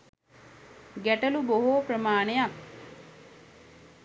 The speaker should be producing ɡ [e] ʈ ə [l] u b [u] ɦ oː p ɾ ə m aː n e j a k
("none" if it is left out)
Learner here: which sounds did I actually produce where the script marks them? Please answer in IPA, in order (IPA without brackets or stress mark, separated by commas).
æ, l, o